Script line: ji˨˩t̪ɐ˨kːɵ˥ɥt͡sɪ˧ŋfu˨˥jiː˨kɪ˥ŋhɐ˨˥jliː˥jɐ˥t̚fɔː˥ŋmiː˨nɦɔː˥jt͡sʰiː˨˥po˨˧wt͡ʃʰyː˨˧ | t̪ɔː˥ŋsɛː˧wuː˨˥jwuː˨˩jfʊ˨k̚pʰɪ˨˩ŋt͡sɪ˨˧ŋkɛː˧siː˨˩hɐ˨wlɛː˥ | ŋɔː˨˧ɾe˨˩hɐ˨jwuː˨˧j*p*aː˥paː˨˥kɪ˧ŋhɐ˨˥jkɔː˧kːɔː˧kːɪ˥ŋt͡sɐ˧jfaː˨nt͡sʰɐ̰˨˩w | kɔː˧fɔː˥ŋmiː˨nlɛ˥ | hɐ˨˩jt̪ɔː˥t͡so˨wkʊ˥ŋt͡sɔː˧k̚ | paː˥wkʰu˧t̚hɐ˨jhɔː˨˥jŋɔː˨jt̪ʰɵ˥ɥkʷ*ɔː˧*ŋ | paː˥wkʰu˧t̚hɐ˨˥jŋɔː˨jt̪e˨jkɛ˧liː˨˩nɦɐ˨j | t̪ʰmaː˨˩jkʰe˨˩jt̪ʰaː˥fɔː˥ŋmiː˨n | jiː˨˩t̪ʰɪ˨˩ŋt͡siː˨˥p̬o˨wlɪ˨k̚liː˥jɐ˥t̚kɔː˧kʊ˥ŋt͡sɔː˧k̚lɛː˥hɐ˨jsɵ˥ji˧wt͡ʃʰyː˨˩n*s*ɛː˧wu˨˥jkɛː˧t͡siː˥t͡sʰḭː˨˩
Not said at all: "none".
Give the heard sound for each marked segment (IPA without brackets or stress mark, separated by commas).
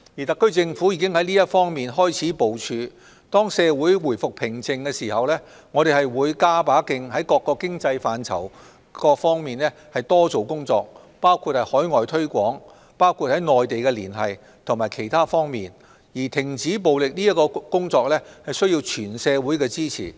k, ɔː˨˥, s